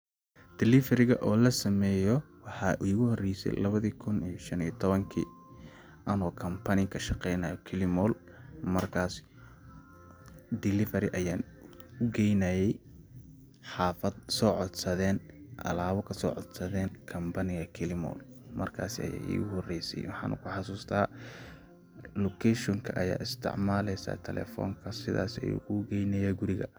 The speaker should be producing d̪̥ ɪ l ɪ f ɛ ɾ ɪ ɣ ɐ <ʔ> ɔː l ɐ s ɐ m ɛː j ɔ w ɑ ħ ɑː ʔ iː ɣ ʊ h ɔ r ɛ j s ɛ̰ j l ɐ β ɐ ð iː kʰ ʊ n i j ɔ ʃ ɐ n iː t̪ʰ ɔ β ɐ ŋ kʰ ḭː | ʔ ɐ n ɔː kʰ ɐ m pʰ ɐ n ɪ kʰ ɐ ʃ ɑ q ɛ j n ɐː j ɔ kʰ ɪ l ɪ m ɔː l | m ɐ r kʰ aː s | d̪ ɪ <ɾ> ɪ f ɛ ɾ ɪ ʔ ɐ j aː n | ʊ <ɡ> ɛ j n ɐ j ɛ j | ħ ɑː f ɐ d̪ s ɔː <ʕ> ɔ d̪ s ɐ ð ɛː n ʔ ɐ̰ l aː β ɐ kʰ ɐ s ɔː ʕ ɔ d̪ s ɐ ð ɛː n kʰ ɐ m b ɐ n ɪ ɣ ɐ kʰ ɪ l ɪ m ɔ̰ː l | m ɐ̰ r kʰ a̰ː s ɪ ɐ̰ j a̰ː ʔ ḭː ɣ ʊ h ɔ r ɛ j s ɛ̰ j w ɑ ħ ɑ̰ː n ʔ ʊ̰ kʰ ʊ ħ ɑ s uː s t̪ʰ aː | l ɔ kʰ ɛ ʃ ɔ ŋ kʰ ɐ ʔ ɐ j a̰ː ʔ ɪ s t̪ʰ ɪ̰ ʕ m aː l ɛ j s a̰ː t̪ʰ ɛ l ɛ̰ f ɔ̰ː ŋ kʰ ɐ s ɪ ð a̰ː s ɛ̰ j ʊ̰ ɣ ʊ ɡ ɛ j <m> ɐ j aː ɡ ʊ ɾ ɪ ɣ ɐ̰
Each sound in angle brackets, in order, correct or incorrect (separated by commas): correct, incorrect, correct, correct, incorrect